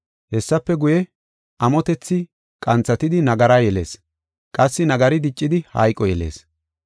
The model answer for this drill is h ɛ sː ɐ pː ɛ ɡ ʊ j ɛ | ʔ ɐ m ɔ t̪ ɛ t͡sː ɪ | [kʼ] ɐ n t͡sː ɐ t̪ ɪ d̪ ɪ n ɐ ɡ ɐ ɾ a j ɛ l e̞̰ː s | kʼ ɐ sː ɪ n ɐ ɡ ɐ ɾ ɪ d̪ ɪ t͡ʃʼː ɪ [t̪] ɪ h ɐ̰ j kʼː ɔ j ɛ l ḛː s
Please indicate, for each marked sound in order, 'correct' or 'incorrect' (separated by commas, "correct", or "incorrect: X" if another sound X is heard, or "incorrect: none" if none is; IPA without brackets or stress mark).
correct, incorrect: d̪